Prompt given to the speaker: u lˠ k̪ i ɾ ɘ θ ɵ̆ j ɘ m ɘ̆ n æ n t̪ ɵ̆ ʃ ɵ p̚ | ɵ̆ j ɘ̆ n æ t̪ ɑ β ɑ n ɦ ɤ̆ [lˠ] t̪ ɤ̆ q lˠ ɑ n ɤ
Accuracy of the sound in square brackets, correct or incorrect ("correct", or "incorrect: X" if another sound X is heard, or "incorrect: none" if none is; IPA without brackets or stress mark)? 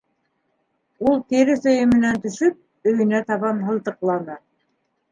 correct